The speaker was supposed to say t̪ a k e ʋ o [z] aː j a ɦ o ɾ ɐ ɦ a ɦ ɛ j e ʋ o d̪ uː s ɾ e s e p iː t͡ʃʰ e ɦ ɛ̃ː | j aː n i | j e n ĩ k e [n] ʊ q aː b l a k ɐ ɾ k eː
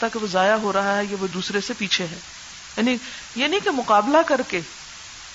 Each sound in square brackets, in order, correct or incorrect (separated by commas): correct, incorrect